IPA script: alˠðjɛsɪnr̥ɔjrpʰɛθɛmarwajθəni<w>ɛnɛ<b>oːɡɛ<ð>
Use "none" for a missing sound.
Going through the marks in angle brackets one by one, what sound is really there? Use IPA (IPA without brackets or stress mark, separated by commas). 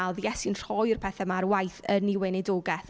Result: w, d, θ